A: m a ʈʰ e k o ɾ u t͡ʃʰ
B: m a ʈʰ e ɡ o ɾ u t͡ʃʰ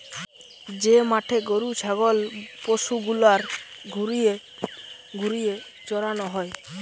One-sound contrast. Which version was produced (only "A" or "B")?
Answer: B